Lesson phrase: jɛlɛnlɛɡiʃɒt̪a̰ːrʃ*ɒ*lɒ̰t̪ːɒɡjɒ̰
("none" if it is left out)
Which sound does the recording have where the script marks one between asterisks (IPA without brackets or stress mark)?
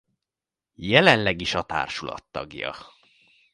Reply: u